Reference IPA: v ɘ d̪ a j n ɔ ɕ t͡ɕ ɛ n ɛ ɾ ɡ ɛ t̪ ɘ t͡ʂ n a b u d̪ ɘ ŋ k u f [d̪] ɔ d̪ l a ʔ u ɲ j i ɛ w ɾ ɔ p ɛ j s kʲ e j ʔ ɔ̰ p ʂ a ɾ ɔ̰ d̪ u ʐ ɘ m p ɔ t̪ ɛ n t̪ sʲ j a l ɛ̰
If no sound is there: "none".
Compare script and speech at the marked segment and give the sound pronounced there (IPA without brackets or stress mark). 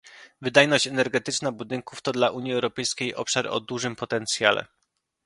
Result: t̪